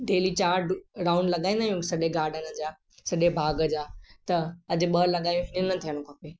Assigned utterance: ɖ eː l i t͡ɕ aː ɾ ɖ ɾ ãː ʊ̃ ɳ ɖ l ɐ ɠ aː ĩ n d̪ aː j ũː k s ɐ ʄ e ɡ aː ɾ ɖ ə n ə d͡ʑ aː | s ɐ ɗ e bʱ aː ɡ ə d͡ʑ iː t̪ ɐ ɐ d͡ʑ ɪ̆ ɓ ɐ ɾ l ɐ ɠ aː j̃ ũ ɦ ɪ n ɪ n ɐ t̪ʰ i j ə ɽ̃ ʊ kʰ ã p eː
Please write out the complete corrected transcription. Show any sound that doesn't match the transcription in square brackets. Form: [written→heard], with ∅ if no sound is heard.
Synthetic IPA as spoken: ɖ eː l i t͡ɕ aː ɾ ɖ ɾ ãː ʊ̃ ɳ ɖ l ɐ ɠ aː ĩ n d̪ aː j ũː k s ɐ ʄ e ɡ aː ɾ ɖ ə n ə d͡ʑ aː | s ɐ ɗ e bʱ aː ɡ ə d͡ʑ [iː→aː] t̪ ɐ ɐ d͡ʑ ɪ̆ ɓ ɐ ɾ l ɐ ɠ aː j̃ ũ ɦ ɪ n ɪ n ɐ t̪ʰ i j ə ɽ̃ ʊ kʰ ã p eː